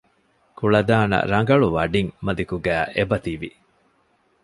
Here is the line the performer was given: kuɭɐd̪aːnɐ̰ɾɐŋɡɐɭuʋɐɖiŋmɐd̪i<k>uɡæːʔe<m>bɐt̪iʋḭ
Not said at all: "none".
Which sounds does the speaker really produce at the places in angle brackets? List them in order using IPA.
k, none

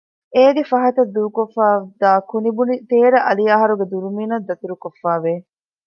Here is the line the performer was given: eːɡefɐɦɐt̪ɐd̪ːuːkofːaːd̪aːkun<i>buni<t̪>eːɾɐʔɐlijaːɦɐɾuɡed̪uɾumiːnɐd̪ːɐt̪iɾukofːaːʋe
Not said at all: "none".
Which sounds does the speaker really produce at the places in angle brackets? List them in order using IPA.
i, t̪

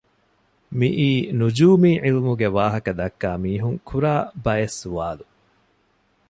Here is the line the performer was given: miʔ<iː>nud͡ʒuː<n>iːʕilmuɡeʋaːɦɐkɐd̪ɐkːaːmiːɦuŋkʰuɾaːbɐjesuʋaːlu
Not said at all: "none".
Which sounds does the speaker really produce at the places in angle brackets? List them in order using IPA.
iː, m

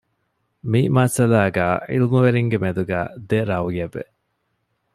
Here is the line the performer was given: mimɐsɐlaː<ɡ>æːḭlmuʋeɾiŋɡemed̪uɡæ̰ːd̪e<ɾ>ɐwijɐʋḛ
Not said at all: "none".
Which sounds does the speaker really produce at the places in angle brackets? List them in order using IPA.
ɡ, ɾ

